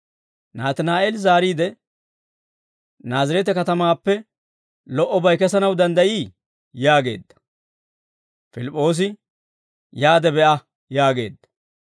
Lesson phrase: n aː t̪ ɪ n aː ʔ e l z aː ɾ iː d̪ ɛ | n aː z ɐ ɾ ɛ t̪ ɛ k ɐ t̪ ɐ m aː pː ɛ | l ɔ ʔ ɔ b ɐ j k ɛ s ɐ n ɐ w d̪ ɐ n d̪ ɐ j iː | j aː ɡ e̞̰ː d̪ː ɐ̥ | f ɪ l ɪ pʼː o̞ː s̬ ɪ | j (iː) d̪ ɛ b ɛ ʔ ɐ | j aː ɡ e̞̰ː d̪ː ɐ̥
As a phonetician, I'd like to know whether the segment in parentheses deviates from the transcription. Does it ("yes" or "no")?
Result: yes